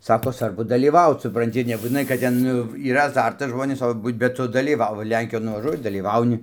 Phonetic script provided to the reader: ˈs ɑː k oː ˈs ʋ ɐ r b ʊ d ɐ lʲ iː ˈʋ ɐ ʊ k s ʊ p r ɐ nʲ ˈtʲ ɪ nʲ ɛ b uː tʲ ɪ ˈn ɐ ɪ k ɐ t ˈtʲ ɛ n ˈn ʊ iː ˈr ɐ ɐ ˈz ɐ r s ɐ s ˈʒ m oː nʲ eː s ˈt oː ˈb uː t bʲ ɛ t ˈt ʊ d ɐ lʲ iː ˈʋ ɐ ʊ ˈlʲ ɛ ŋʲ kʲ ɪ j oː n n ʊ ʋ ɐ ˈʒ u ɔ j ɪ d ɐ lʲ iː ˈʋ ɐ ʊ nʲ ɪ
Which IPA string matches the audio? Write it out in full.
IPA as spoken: ˈs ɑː k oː ˈs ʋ ɐ r b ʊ d ɐ lʲ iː ˈʋ ɐ ʊ t s ʊ p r ɐ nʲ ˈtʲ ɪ nʲ ɛ b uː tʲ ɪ ˈn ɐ ɪ k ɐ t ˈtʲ ɛ n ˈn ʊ iː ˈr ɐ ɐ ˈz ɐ r t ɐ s ˈʒ m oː nʲ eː s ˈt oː ˈb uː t bʲ ɛ t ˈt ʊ d ɐ lʲ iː ˈʋ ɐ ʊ ˈlʲ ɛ ŋʲ kʲ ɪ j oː n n ʊ ʋ ɐ ˈʒ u ɔ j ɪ d ɐ lʲ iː ˈʋ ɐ ʊ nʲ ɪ